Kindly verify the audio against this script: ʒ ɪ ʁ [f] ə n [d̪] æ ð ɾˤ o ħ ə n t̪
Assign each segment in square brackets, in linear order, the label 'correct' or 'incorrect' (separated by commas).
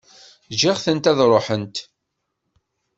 incorrect, incorrect